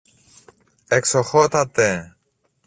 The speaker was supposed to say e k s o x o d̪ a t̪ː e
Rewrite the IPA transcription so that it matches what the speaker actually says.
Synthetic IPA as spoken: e k s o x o t̪ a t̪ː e